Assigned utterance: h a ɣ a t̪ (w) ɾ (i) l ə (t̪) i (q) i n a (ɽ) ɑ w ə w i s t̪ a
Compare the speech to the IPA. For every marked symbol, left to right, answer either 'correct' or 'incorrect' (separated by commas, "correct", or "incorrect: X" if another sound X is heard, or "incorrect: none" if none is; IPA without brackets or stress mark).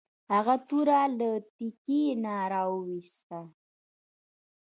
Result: incorrect: u, incorrect: a, correct, incorrect: k, incorrect: ɾ